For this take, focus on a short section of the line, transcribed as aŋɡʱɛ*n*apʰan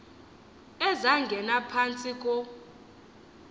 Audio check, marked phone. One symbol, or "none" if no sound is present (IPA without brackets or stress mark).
n